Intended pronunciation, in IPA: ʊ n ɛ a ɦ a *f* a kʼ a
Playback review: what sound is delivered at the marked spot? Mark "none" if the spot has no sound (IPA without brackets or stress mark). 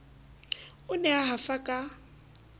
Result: f